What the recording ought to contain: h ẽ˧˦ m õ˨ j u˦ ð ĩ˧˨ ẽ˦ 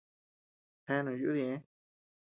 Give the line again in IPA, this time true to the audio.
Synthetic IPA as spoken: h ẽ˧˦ n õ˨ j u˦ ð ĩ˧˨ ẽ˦